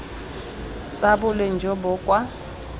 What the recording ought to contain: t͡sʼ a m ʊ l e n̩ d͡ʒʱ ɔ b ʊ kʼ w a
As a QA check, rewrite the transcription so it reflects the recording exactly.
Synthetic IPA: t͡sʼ a b ʊ l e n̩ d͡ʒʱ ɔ b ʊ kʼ w a

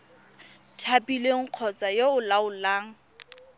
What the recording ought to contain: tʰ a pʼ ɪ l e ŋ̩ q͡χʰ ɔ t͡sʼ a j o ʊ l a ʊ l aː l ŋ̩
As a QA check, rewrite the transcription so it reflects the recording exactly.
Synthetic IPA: tʰ a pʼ i l e ŋ̩ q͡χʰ ɔ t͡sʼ a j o ʊ l a ʊ l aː ŋ̩

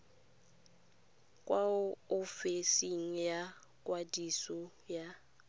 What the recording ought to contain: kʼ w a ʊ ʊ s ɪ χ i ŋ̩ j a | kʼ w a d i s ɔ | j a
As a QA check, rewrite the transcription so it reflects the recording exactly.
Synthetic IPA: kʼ w a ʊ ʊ f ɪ s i ŋ̩ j a | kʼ w a d i s ɔ | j a

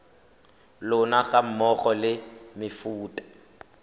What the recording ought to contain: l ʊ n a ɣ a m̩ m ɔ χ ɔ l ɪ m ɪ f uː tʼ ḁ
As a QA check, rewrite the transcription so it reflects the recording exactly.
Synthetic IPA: l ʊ n a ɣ a m̩ m ɔ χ ɔ l ɪ m ɪ f uː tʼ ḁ

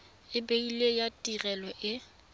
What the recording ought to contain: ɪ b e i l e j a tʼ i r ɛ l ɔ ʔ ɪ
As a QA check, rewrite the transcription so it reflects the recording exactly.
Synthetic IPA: ɪ b e i l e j a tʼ i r ɛ l ɔ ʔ ɪ

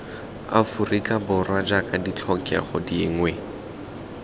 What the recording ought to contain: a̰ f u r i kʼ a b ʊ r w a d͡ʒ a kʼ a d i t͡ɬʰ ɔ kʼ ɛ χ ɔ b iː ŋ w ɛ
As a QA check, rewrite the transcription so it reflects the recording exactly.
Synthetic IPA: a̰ f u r i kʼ a b ʊ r w a d͡ʒ a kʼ a d i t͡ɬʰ ɔ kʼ ɛ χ ɔ d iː ŋ w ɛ

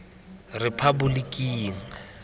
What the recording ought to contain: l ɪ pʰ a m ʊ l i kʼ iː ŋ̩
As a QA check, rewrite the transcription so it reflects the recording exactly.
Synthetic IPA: r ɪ pʰ a b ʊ l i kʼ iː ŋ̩

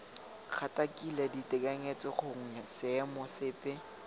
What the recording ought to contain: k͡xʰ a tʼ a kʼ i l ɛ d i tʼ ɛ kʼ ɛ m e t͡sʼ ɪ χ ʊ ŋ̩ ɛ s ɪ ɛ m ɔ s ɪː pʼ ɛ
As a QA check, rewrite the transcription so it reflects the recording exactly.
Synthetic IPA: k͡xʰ a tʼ a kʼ i l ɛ d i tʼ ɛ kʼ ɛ ŋ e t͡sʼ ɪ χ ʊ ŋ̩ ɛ s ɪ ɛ m ɔ s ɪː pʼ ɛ

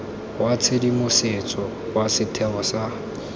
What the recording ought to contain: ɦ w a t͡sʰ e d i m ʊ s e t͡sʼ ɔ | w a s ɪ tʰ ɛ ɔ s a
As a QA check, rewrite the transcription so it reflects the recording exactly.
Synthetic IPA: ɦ w a t͡sʰ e d i m ʊ s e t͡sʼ ɔ | w a s ɪ tʰ ɛ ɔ s a

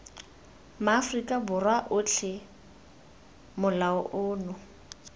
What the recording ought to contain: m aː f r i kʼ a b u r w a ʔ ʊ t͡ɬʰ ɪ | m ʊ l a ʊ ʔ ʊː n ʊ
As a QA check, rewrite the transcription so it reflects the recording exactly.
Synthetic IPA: m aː f r i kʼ a b ʊ r w a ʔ ʊ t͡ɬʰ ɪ | m ʊ l a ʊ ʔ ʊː n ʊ

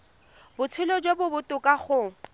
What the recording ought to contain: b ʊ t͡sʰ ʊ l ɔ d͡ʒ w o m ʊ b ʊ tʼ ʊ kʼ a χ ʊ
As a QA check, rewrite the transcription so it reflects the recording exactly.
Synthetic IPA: b ʊ t͡sʰ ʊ l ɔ d͡ʒ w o b ʊ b ʊ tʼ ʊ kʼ a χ ʊ

